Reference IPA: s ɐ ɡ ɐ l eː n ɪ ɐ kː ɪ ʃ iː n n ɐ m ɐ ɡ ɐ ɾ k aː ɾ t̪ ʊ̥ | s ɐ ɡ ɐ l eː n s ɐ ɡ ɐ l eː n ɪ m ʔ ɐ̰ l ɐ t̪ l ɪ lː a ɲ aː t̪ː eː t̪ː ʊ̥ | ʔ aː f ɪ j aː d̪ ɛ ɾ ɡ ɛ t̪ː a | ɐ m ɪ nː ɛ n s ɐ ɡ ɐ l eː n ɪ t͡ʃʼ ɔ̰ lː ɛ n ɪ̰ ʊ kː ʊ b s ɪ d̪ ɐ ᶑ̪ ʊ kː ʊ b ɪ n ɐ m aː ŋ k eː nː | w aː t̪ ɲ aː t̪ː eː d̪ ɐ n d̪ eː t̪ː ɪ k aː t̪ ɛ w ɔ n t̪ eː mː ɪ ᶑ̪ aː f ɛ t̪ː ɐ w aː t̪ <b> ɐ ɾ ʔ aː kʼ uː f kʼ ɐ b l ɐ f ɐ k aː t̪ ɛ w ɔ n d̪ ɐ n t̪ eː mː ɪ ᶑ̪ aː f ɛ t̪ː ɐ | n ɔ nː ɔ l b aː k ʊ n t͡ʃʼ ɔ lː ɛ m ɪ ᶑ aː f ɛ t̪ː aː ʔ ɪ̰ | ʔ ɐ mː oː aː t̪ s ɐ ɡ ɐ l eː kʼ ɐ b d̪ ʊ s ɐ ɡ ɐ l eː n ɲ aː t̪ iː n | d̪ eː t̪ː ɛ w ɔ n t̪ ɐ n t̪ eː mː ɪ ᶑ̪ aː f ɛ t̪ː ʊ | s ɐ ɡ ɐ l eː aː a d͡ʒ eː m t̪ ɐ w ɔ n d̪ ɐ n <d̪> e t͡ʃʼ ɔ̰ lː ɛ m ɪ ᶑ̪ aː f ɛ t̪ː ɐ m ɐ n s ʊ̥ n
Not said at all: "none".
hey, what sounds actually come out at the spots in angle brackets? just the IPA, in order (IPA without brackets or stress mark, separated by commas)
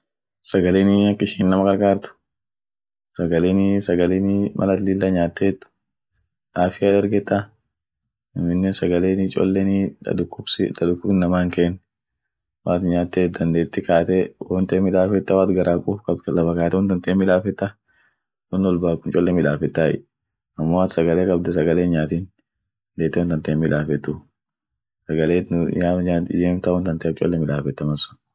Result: ɡ, t̪